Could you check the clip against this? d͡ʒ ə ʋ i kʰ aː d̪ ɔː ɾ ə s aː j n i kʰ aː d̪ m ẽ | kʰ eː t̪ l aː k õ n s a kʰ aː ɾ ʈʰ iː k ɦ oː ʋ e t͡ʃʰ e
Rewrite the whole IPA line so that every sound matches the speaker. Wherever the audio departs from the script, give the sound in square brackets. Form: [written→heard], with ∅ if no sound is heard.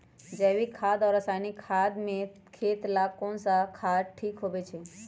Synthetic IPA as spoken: d͡ʒ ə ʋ i kʰ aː d̪ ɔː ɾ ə s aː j n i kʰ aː d̪ m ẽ | kʰ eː t̪ l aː k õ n s a kʰ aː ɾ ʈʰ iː k ɦ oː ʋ e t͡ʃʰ e